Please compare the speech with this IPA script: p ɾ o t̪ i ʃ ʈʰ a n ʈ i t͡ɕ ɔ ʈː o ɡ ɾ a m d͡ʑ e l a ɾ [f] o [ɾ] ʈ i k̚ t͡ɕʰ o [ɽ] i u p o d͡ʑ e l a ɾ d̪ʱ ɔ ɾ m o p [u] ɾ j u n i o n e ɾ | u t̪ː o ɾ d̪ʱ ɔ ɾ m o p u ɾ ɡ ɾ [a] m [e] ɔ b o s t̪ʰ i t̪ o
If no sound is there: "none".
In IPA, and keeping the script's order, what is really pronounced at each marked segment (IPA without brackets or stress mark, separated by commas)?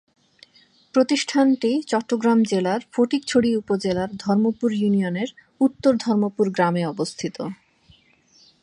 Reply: f, none, ɽ, u, a, e